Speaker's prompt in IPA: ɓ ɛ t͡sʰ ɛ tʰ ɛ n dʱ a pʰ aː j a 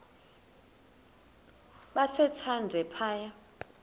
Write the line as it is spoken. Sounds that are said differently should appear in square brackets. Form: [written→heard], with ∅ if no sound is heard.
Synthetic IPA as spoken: ɓ [ɛ→a] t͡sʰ ɛ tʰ [ɛ→a] n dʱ [a→ɛ] pʰ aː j a